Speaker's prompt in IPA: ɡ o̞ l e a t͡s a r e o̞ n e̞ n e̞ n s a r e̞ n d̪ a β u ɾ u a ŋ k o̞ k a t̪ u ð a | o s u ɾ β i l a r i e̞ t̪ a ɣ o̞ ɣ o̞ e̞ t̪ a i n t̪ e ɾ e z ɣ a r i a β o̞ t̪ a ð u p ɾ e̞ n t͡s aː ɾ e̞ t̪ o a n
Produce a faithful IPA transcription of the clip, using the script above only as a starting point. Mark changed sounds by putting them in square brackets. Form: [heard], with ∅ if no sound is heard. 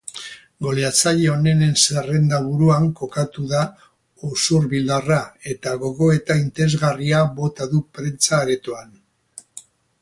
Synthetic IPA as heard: ɡ o̞ l e a t͡s a [ʎ] e o̞ n e̞ n e̞ n s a r e̞ n d̪ a β u ɾ u a ŋ k o̞ k a t̪ u ð a | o s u ɾ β i l a r [a] e̞ t̪ a ɣ o̞ ɣ o̞ e̞ t̪ a i n t̪ e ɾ e z ɣ a r i a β o̞ t̪ a ð u p ɾ e̞ n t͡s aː ɾ e̞ t̪ o a n